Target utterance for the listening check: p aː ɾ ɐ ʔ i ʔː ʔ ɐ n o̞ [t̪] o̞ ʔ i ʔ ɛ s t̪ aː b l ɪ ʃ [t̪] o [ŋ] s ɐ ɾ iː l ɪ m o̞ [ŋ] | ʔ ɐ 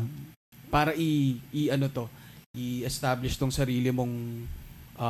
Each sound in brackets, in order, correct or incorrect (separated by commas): correct, correct, correct, correct